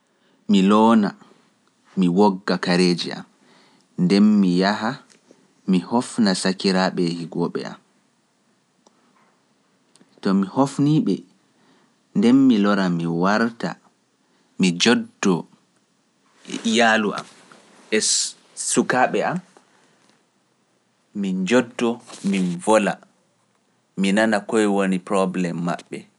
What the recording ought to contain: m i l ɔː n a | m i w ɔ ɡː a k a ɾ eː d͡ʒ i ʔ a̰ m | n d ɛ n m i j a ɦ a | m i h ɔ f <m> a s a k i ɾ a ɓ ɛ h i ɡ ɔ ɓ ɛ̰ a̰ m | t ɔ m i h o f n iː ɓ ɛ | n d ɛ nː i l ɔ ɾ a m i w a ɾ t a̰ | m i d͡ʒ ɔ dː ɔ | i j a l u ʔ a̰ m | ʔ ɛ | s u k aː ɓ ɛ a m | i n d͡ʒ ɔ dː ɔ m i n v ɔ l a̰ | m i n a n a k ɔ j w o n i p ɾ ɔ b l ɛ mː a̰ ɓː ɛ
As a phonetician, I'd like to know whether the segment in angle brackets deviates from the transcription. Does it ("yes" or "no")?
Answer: yes